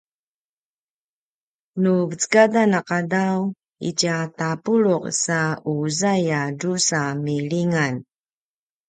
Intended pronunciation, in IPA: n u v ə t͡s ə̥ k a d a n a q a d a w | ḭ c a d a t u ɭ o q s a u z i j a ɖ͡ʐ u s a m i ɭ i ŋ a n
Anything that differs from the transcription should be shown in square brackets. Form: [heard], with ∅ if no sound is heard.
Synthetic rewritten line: n u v ə t͡s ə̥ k a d a n a q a d a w | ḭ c a [t] a [p] u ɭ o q s a u z [a] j a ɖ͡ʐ u s a m i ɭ i ŋ a n